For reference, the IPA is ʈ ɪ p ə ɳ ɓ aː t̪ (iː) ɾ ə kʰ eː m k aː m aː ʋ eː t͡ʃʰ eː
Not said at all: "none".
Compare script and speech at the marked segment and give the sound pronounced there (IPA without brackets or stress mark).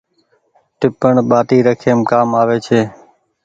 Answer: iː